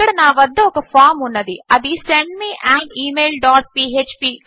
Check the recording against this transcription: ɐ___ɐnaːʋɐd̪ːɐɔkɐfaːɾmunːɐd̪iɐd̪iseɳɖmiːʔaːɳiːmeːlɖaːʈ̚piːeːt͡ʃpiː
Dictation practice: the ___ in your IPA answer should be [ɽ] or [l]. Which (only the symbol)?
ɽ